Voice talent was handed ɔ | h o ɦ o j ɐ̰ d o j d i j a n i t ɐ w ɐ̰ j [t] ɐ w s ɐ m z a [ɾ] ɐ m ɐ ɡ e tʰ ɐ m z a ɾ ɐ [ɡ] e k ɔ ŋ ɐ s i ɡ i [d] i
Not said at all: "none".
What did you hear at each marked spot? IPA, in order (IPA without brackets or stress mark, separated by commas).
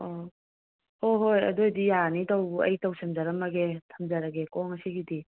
t, ɾ, ɡ, d